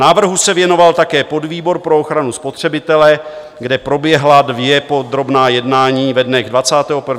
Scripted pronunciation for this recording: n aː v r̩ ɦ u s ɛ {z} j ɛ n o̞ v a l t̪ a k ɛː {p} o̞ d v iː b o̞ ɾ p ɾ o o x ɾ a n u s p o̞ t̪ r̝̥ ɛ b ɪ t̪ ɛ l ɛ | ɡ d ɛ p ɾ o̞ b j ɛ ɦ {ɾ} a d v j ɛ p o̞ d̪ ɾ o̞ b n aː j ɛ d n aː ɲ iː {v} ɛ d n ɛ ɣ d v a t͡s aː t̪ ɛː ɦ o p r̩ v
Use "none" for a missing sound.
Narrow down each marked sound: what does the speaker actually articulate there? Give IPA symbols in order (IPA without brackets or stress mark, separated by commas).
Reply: v, p, l, v